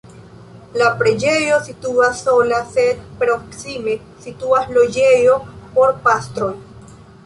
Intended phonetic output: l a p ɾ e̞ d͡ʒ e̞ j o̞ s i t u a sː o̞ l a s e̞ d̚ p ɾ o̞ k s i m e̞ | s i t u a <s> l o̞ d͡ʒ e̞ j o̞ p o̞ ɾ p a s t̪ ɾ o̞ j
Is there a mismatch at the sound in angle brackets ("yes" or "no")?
no